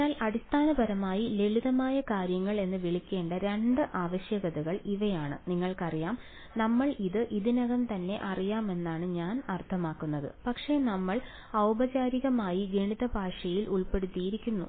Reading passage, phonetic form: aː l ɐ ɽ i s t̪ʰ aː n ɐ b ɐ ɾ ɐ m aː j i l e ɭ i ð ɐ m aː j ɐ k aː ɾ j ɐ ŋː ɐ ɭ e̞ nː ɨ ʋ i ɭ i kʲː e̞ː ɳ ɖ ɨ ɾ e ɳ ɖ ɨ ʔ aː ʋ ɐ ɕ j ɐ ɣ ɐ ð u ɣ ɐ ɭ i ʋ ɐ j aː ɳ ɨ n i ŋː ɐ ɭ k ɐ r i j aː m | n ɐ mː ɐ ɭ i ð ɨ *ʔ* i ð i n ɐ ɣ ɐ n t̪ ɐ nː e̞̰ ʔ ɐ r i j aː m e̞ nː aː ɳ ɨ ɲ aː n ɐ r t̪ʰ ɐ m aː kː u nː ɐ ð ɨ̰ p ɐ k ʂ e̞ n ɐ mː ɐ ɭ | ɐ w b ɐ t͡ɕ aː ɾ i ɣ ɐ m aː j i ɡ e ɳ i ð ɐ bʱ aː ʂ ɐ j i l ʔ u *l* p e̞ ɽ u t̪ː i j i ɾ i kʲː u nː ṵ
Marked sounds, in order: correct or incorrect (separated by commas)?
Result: correct, incorrect